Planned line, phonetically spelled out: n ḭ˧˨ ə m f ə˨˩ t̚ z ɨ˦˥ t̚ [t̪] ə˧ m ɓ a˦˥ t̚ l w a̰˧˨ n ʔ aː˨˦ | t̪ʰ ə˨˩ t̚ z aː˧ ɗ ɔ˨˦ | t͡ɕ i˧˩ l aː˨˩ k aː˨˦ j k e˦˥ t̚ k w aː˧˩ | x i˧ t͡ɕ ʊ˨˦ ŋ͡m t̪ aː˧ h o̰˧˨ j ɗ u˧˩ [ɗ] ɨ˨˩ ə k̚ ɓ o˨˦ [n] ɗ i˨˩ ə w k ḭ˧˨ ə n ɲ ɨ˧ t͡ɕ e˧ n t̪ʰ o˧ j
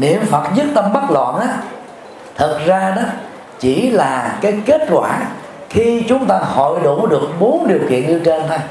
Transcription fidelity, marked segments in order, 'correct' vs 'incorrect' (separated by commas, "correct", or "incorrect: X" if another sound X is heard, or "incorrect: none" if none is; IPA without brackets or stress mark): correct, correct, correct